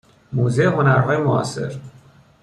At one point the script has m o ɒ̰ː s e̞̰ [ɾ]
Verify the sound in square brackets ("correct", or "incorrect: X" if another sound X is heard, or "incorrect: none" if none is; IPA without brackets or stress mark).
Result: correct